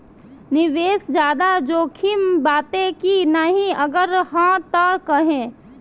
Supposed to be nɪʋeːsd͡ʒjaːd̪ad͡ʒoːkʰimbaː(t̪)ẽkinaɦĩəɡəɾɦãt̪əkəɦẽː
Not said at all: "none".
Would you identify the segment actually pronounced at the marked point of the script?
t̪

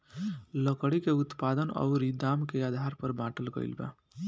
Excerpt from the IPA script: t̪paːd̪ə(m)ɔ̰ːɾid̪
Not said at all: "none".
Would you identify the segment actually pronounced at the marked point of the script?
n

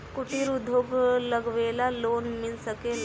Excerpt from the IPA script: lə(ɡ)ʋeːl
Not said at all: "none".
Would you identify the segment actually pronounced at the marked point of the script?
ɡ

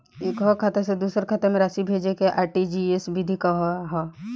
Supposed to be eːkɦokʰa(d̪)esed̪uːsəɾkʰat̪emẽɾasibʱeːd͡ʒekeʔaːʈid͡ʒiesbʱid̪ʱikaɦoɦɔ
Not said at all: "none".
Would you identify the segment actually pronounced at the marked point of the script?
t̪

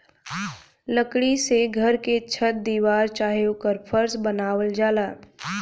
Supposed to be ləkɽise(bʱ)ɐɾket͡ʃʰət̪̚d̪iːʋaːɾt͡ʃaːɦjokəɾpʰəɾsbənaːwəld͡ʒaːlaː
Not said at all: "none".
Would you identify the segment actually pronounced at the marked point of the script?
ɡʱ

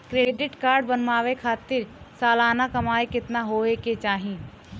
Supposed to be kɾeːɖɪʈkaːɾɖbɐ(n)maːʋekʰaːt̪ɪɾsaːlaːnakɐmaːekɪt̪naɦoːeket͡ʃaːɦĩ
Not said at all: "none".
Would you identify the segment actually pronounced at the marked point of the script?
n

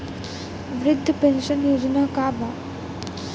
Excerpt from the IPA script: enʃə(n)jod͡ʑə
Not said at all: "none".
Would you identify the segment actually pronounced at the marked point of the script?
n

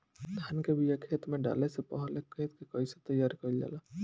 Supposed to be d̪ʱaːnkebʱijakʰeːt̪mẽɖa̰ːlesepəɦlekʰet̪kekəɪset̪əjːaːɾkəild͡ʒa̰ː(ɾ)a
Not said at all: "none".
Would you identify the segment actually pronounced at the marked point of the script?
l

